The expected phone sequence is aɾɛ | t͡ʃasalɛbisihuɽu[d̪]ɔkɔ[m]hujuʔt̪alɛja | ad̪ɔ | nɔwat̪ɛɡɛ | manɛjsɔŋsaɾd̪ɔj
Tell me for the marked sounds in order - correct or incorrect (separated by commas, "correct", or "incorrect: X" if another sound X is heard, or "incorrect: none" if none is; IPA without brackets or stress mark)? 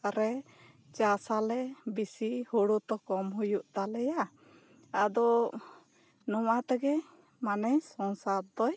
incorrect: t̪, correct